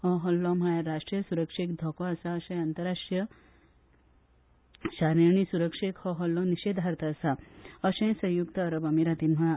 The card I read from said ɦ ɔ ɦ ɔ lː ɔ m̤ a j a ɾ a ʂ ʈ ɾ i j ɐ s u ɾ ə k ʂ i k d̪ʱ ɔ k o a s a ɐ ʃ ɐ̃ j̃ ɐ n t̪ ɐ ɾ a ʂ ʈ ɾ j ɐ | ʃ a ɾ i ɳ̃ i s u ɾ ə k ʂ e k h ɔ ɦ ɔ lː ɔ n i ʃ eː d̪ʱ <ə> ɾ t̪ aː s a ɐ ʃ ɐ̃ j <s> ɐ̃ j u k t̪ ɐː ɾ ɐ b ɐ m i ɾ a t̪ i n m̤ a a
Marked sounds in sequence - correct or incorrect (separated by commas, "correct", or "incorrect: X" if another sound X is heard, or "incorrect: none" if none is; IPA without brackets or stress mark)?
incorrect: a, correct